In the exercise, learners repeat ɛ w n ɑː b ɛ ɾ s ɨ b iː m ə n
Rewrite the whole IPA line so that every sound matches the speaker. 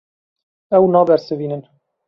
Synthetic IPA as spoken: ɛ w n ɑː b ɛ ɾ s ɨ v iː n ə n